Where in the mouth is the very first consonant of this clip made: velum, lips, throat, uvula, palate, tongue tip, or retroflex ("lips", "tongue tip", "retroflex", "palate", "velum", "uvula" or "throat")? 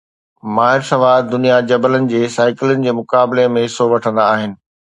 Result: lips